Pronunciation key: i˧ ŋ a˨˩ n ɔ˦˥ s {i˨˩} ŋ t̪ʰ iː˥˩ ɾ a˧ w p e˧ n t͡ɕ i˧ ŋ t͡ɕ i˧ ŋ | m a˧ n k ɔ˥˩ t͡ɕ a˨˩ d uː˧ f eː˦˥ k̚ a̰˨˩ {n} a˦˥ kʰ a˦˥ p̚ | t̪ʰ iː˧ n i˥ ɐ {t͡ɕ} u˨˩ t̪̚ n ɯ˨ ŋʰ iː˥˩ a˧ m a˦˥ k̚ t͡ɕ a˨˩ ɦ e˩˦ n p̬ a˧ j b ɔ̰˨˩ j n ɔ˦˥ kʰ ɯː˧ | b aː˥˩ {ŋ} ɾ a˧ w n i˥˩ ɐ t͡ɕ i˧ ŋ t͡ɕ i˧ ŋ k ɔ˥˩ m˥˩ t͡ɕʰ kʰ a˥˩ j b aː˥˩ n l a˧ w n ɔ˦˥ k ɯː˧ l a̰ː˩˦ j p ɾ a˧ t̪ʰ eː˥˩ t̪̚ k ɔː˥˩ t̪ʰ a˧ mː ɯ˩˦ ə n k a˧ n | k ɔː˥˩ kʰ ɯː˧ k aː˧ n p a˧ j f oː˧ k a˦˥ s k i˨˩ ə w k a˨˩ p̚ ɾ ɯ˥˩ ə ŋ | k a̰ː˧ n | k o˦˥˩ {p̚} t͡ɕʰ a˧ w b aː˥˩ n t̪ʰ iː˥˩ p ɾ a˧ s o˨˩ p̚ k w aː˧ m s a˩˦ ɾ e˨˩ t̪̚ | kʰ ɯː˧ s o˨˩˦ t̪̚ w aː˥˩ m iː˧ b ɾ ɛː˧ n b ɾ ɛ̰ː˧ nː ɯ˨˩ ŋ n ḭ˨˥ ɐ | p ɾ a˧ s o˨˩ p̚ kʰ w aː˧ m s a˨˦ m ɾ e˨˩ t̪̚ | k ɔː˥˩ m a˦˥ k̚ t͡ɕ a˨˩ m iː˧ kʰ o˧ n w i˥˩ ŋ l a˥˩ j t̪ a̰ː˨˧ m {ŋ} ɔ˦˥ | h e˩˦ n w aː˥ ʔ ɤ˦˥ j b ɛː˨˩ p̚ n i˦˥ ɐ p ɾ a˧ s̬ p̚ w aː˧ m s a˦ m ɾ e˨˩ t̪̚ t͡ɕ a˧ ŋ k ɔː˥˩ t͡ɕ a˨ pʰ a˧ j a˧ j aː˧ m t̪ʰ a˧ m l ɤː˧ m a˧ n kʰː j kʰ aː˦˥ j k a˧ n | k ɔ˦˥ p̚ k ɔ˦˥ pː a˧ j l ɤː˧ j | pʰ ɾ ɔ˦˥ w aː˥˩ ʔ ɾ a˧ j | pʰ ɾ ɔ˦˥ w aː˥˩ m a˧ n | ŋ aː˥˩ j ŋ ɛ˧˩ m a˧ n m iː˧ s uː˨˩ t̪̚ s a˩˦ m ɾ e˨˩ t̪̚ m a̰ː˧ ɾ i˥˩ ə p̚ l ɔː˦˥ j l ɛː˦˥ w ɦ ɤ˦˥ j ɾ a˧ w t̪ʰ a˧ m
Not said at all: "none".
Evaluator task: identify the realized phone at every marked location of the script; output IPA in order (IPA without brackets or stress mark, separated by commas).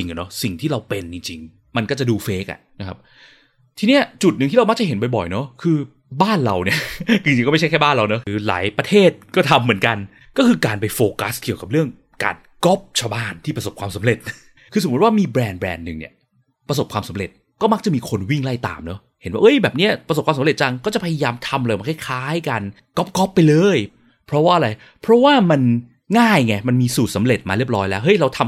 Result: i˨˩, n, t͡ɕ, n, p̚, n